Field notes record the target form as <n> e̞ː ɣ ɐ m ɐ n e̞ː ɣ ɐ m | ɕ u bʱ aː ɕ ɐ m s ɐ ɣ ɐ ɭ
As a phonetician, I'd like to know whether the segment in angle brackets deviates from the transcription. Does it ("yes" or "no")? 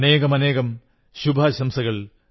no